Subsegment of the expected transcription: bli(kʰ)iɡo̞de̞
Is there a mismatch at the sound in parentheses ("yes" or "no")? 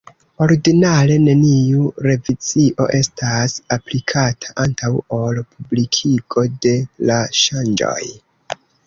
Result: no